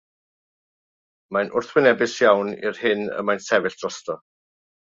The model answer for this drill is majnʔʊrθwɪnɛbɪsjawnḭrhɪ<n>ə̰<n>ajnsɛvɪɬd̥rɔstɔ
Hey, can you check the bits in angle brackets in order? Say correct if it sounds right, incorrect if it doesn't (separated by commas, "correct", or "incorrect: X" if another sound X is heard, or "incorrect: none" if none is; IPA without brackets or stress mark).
correct, incorrect: m